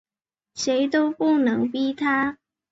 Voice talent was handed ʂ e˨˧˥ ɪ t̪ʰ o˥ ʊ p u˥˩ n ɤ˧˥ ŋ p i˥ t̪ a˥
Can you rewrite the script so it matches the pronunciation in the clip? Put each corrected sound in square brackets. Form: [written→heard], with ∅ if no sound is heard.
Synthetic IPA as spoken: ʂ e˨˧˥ ɪ [t̪ʰ→t̪] o˥ ʊ p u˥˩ n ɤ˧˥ ŋ p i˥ [t̪→t̪ʰ] a˥